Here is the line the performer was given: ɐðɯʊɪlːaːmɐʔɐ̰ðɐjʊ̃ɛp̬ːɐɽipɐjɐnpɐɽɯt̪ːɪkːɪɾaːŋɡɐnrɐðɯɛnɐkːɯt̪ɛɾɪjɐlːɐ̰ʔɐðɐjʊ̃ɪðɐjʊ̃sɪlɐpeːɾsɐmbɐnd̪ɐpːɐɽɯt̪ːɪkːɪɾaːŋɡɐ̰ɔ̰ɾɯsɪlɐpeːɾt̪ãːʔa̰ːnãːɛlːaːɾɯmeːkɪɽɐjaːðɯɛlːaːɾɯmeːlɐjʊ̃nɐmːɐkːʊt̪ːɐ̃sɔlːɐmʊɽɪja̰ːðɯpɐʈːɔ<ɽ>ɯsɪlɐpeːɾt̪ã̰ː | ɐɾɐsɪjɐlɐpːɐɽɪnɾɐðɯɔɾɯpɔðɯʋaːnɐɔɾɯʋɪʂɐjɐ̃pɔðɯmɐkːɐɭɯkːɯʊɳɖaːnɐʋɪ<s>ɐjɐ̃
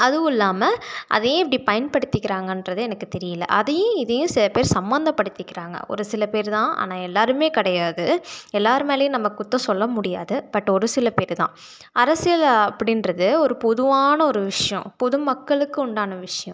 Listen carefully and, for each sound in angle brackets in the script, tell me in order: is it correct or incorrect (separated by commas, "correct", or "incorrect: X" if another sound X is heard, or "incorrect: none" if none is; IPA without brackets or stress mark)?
incorrect: ɾ, incorrect: ʂ